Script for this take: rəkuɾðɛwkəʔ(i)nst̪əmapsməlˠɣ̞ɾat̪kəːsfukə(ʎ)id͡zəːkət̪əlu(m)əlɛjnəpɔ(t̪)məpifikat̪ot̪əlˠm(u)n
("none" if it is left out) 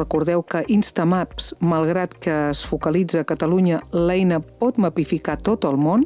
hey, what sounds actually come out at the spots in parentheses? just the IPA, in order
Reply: i, l, ɲ, t̪, o

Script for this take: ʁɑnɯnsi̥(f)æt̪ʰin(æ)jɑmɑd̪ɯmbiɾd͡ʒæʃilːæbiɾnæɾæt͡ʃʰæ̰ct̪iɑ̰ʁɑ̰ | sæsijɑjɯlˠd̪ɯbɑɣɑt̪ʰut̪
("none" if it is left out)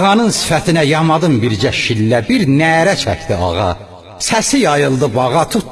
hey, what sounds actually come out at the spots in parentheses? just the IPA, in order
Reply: f, æ

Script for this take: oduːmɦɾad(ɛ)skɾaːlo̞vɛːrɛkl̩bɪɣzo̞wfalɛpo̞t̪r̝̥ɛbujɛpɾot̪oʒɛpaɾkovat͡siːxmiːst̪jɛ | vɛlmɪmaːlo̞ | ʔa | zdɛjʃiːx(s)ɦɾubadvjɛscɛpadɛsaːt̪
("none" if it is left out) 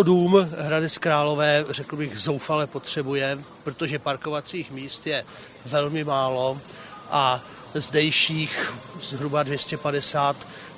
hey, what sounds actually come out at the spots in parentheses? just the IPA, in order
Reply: ɛ, z

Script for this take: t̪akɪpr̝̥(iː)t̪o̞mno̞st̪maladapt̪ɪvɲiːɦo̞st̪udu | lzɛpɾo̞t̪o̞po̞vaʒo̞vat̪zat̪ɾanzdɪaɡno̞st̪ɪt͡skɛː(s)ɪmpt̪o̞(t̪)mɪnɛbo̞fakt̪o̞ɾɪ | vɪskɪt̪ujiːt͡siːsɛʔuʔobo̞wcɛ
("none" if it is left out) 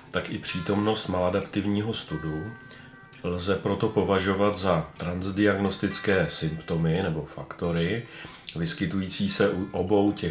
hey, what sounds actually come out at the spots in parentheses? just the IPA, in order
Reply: iː, s, none

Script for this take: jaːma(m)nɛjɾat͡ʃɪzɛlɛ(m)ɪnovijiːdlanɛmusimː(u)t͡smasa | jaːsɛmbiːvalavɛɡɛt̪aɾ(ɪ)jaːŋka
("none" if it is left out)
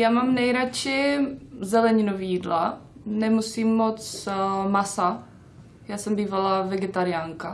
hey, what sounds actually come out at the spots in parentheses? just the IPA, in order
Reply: m, ɲ, o, ɪ

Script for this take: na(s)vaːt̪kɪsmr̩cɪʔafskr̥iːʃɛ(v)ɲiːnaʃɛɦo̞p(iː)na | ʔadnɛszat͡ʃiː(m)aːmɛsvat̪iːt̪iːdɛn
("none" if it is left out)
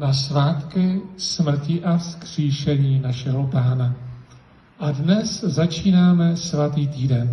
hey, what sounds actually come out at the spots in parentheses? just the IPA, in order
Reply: s, none, aː, n

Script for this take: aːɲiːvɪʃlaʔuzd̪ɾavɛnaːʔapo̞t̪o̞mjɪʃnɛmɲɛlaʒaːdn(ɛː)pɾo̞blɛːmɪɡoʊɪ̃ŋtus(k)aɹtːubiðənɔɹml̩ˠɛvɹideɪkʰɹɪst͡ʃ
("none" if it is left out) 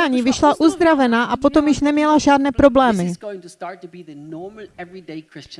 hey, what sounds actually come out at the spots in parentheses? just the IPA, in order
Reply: ɛː, t

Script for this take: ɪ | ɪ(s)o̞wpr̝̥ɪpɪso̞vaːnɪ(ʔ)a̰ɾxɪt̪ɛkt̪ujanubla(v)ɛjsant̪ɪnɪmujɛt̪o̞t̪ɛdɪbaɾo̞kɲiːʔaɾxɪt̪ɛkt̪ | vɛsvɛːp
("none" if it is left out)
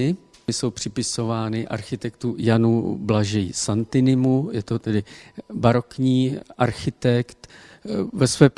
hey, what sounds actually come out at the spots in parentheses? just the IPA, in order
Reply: s, ʔ, ʒ

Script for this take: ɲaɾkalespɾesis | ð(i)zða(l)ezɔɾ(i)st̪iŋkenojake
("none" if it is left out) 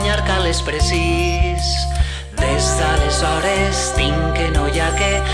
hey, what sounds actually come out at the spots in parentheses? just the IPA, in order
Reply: e, l, e

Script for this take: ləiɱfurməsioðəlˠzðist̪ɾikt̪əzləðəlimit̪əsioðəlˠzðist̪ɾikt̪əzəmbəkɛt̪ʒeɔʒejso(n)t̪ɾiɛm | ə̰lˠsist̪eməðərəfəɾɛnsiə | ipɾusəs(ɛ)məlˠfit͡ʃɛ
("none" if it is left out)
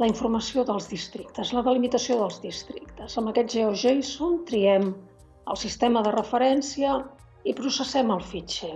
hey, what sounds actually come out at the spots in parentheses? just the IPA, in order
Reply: n, ɛ

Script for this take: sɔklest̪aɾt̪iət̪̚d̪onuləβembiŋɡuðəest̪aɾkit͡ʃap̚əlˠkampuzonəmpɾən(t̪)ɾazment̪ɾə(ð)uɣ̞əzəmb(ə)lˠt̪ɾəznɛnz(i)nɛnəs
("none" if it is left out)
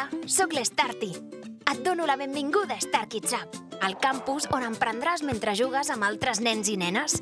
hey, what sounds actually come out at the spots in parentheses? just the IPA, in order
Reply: d̪, ʒ, a, i

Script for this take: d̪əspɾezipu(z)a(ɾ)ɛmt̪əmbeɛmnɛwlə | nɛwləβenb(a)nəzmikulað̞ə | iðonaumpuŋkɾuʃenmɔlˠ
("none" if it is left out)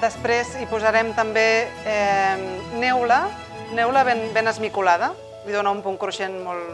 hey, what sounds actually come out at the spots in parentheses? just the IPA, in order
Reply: z, ɾ, e

